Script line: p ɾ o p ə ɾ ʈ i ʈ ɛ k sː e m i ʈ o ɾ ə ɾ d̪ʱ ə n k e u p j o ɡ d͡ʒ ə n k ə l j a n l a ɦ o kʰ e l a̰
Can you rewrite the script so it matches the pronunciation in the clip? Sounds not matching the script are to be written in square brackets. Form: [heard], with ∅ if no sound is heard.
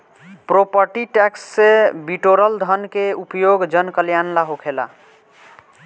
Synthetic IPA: p ɾ o p ə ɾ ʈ i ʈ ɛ k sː e [b] i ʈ o ɾ ə [l] d̪ʱ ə n k e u p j o ɡ d͡ʒ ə n k ə l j a n l a ɦ o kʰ e l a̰